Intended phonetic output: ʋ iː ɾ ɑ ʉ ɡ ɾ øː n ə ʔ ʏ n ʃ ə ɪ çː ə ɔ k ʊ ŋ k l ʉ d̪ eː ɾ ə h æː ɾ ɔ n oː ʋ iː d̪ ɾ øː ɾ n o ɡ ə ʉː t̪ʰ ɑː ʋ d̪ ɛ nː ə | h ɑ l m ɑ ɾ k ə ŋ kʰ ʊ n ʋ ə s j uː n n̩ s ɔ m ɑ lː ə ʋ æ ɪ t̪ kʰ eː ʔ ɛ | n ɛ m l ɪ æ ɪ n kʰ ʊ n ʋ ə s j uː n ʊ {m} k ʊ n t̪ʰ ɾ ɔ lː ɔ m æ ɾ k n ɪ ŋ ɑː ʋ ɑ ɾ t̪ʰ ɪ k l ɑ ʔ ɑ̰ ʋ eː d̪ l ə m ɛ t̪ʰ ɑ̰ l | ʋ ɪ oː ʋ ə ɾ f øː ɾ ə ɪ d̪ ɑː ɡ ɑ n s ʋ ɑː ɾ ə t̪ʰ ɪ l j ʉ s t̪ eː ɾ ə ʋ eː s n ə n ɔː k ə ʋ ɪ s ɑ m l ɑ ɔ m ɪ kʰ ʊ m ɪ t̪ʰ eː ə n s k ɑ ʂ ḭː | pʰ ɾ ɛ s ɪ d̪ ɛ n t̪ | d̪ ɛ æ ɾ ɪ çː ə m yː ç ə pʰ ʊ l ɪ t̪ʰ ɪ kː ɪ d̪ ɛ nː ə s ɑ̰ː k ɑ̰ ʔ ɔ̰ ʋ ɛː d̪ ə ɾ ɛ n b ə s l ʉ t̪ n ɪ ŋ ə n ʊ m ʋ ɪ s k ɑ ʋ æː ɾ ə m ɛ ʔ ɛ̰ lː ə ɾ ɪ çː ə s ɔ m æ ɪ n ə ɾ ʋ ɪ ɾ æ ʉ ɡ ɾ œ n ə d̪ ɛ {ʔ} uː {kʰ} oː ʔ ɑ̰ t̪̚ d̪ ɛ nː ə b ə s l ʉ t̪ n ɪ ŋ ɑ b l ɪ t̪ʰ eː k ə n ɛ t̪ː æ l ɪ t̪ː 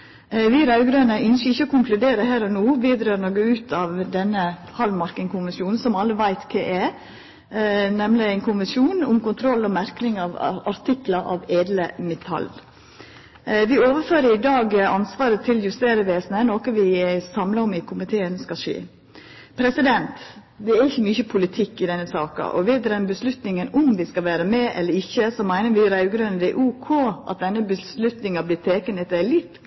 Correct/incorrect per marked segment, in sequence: correct, correct, correct

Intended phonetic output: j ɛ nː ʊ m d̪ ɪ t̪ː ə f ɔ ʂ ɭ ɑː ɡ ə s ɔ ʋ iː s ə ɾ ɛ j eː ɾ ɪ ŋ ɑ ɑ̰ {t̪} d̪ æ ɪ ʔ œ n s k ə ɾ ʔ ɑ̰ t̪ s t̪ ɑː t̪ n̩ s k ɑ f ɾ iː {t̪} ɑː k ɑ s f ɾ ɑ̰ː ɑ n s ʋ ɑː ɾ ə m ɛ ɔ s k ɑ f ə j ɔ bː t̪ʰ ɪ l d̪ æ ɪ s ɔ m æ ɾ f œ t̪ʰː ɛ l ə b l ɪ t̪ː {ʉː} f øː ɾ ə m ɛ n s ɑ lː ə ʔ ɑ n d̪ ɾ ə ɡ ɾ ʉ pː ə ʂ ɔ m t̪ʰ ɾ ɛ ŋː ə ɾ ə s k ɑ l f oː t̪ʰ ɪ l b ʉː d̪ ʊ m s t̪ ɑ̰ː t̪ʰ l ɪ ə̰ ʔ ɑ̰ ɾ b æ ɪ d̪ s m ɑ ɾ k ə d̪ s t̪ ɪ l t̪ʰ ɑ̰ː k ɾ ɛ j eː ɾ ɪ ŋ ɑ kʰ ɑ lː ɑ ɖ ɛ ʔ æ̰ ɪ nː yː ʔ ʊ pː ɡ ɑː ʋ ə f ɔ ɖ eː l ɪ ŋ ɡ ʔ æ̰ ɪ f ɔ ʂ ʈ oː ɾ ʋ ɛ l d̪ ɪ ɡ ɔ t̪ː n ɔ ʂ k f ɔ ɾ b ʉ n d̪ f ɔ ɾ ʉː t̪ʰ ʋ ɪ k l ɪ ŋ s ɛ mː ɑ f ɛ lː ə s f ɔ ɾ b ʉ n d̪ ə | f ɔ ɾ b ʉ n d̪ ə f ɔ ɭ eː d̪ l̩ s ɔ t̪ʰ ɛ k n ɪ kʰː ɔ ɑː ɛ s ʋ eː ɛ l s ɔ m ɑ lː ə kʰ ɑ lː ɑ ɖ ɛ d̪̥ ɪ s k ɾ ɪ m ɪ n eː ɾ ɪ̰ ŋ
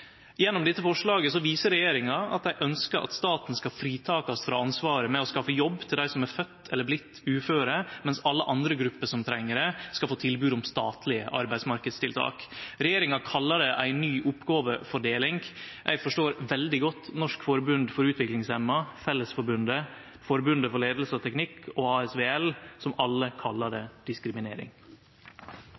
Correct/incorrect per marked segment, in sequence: correct, incorrect: t̪ʰ, correct

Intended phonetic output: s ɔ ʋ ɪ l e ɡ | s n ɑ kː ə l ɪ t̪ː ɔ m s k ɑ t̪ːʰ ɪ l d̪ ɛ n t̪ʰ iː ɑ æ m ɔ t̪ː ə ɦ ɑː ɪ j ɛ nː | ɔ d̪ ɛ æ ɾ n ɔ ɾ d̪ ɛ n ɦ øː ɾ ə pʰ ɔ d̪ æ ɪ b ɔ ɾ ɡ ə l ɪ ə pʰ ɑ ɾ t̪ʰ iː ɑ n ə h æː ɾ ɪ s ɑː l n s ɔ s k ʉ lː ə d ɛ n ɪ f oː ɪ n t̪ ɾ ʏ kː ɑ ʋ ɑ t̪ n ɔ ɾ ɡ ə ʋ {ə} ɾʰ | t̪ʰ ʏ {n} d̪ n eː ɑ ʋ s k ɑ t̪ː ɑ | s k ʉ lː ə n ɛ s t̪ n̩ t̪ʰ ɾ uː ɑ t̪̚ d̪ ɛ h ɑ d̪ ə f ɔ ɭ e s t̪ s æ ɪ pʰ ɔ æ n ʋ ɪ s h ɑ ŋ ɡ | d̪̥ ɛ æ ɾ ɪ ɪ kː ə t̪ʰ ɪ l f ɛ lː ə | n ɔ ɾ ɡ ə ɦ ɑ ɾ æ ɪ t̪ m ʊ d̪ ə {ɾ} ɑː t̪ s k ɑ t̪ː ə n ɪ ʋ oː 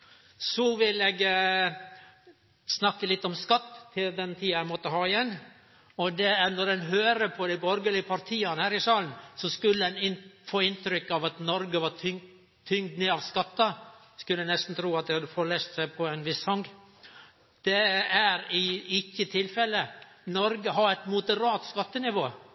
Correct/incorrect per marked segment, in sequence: incorrect: ɑ, incorrect: ŋ, correct

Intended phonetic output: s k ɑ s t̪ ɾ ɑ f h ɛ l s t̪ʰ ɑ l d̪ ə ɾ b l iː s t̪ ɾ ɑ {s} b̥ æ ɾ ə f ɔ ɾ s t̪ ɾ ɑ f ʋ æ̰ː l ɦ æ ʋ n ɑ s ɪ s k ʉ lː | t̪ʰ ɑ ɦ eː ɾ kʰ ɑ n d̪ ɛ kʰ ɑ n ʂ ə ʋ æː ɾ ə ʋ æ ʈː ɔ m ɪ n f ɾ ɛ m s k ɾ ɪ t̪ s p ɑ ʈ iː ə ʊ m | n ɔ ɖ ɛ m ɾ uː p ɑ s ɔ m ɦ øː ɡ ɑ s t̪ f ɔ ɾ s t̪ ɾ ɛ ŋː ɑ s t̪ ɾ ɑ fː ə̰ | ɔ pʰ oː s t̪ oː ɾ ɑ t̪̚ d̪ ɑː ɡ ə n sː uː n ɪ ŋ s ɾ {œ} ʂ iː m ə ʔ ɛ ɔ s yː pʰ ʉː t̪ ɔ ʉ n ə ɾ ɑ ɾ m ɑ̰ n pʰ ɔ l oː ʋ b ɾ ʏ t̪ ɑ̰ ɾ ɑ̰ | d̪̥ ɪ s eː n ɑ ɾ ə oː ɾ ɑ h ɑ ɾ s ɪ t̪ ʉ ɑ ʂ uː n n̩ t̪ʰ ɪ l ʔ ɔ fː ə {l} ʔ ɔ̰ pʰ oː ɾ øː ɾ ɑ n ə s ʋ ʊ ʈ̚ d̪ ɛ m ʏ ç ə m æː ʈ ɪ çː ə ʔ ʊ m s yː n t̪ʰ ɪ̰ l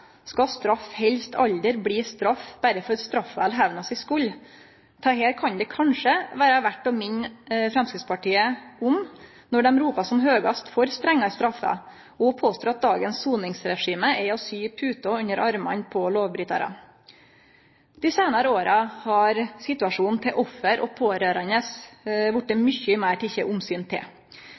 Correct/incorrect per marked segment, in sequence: incorrect: f, incorrect: ɛ, incorrect: ɾ

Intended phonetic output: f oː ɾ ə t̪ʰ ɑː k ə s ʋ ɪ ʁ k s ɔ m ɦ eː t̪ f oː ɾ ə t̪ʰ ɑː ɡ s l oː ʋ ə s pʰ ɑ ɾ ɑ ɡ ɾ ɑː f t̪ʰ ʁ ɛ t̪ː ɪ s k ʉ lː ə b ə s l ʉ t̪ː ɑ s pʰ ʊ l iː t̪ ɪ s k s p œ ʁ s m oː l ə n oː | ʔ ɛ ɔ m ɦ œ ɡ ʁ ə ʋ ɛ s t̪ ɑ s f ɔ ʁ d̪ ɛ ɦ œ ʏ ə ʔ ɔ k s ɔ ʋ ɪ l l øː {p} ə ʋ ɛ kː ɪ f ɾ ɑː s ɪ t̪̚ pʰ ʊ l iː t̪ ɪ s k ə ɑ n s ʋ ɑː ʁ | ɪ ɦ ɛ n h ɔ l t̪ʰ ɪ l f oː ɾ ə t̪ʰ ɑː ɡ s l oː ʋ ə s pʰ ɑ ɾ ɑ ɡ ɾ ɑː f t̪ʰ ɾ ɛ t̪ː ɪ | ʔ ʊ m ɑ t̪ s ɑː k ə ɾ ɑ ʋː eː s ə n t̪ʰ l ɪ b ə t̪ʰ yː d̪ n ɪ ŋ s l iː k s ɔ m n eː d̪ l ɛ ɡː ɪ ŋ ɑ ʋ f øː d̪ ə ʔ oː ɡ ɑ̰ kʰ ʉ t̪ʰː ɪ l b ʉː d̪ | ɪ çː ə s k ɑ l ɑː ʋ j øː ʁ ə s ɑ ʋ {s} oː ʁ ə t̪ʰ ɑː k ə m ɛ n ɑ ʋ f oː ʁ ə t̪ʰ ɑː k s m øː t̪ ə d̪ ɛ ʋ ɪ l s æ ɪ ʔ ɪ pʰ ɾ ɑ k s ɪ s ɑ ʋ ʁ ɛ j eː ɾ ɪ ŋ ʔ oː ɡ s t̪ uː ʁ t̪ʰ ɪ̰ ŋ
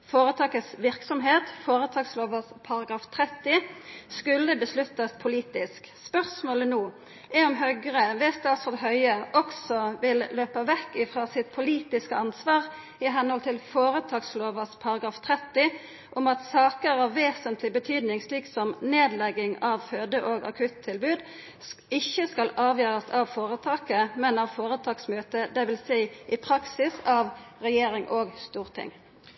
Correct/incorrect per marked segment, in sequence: correct, incorrect: f

